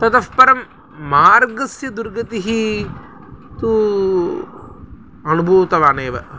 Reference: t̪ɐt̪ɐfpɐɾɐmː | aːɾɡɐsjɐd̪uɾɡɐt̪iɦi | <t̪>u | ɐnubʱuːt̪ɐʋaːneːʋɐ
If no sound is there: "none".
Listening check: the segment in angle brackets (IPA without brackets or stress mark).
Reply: t̪